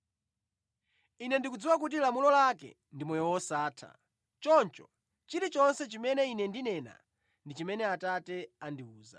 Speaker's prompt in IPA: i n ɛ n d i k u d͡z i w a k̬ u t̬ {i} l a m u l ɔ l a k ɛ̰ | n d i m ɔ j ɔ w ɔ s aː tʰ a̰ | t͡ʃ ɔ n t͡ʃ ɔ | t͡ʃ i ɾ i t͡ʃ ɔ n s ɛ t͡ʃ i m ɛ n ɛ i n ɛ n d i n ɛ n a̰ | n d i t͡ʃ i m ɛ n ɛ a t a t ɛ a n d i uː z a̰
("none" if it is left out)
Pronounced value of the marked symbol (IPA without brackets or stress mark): i